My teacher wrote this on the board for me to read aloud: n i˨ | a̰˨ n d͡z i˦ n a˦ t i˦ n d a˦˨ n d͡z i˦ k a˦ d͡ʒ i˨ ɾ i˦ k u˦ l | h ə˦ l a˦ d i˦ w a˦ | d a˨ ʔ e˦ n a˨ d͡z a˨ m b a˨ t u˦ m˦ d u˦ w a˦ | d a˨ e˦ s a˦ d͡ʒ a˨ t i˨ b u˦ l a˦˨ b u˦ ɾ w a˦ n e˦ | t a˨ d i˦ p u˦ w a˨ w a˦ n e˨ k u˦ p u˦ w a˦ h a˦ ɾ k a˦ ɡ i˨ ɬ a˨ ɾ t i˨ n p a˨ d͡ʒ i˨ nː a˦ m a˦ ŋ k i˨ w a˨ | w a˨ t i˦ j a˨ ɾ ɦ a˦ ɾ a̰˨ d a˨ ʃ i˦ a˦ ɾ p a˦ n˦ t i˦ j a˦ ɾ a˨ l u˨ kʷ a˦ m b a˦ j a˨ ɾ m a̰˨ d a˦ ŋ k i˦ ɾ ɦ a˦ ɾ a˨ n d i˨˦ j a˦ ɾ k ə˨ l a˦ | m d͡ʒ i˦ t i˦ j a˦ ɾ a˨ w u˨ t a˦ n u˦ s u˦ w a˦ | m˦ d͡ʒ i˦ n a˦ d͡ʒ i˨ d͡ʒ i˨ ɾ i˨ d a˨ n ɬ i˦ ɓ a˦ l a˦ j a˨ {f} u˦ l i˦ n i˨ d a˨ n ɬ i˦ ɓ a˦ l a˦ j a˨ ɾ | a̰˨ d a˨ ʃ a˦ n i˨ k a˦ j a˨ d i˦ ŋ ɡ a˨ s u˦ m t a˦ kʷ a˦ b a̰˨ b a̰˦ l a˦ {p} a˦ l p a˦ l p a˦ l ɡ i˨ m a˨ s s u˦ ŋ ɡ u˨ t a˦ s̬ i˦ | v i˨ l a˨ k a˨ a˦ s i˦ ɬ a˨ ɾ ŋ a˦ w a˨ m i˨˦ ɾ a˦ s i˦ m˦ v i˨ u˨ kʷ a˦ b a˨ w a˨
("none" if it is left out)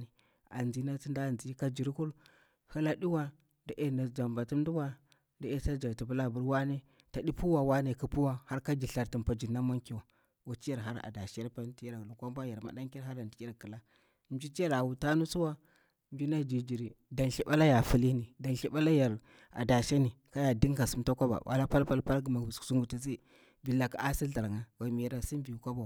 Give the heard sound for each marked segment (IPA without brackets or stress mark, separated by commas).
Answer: f, p